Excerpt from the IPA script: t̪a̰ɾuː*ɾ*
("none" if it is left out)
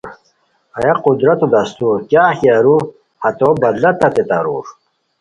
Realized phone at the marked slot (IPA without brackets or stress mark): ɾ